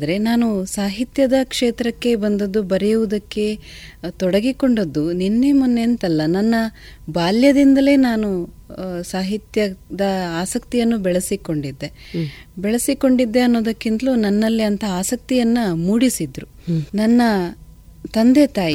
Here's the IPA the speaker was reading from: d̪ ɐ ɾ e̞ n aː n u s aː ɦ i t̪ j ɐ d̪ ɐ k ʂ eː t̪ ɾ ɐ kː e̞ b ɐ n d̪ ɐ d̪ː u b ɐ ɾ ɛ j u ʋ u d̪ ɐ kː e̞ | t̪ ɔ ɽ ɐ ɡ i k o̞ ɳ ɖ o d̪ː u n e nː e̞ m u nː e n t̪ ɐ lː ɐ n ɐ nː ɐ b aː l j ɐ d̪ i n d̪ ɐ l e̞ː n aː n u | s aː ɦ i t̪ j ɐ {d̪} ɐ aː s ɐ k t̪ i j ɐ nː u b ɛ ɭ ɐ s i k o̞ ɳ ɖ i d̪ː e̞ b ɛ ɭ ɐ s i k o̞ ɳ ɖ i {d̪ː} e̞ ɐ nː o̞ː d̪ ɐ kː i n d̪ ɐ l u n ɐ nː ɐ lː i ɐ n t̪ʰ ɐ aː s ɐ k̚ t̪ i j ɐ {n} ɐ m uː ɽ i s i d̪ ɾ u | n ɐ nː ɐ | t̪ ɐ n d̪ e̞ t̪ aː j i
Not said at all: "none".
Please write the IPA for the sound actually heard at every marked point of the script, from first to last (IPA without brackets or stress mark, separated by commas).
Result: d̪, d̪ː, nː